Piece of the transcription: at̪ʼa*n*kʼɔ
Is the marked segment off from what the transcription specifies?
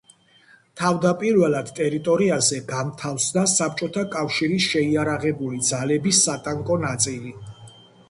yes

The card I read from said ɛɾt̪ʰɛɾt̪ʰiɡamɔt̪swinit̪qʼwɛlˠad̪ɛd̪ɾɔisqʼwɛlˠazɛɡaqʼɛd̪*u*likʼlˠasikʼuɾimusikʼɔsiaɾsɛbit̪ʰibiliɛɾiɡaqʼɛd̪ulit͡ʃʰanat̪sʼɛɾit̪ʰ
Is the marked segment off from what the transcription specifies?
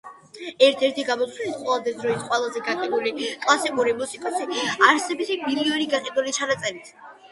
no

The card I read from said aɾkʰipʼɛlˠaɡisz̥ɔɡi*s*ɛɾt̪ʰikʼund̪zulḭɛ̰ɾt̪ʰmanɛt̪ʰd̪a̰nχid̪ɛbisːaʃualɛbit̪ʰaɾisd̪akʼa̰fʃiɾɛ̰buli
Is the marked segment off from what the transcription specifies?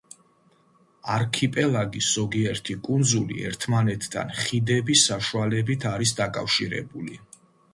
yes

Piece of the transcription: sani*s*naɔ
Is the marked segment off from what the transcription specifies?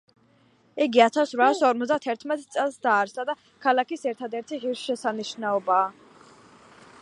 yes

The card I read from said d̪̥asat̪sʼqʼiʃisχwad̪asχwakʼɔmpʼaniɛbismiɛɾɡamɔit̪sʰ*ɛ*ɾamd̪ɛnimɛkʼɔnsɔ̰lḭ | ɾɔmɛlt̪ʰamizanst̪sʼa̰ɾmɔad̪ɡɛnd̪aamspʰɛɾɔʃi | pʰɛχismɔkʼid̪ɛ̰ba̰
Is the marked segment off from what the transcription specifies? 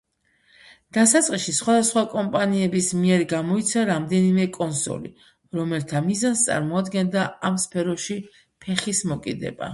yes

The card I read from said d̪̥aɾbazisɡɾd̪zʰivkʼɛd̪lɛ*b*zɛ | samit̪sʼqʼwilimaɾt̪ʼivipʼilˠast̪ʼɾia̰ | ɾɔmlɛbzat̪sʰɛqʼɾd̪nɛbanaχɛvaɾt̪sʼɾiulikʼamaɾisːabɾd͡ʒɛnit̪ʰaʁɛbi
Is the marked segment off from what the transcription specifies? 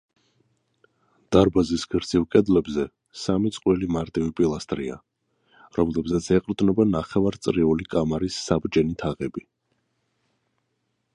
no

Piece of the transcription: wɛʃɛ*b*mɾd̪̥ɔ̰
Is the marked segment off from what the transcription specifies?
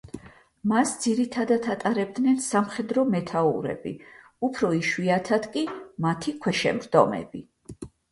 yes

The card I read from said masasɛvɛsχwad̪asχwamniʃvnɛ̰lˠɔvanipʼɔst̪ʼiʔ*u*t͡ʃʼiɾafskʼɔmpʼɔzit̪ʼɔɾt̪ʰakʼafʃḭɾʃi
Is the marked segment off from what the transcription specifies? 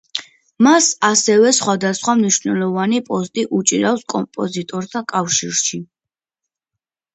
no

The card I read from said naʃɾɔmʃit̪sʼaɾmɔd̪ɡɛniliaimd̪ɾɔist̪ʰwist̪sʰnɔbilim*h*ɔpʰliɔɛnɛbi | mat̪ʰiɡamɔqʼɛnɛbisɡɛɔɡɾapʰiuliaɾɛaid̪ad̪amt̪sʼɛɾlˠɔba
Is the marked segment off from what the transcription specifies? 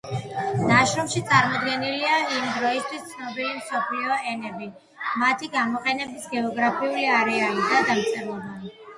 yes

